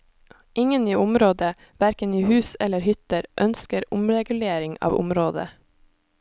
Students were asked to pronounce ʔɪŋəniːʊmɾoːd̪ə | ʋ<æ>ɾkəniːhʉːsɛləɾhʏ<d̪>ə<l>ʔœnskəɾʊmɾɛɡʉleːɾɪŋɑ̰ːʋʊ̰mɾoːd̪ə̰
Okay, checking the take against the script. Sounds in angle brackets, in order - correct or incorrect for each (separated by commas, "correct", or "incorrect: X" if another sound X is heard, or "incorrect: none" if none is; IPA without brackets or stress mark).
correct, incorrect: t̪, incorrect: ɾ